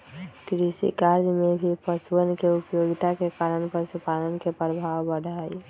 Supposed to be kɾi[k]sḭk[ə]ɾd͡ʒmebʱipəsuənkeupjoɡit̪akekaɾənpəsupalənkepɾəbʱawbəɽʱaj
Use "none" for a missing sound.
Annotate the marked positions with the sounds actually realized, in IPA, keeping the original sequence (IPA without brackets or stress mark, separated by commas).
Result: none, a